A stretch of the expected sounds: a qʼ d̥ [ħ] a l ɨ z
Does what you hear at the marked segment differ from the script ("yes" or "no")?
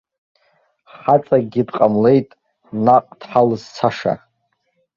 no